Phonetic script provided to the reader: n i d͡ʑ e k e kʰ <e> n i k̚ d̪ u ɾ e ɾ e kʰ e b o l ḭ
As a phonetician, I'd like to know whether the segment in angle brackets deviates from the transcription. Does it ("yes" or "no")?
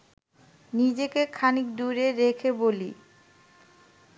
yes